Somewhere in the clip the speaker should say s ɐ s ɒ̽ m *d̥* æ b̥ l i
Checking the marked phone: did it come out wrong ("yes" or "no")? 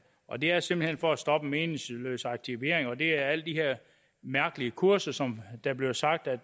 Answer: no